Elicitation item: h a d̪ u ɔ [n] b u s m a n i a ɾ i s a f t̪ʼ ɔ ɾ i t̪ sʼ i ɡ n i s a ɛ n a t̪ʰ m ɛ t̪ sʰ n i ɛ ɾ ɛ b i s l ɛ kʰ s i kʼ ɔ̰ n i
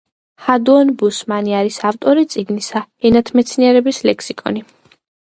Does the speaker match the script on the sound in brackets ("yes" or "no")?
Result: yes